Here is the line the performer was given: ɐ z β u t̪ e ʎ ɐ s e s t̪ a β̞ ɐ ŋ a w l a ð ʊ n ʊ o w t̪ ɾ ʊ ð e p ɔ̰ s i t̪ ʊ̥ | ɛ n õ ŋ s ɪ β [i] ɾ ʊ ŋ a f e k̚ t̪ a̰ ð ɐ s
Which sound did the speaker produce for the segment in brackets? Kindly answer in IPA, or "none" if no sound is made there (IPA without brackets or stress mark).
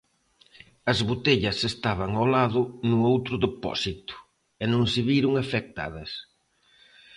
i